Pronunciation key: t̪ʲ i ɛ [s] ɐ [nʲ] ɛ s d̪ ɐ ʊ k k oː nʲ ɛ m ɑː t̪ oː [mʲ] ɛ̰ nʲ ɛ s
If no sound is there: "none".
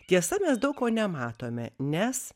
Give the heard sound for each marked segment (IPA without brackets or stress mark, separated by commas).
s, mʲ, mʲ